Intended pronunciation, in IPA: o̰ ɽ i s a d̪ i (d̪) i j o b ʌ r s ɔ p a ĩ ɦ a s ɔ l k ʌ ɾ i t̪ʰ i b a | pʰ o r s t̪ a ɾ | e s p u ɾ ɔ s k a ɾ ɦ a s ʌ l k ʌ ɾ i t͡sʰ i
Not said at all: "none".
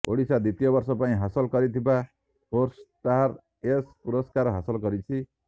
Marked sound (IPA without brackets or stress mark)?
t̪